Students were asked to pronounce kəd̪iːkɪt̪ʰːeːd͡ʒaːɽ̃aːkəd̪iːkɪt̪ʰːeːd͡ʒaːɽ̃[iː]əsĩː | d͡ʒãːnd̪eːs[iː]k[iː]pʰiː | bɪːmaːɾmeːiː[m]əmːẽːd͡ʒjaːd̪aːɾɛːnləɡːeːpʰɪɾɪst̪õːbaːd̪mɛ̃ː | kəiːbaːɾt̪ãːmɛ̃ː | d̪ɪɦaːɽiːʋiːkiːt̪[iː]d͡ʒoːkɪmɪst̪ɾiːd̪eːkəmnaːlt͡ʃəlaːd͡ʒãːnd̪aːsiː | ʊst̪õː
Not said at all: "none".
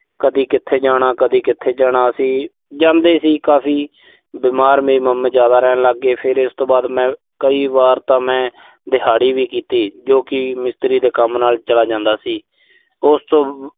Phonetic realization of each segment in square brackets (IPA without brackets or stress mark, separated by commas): aː, iː, aː, m, iː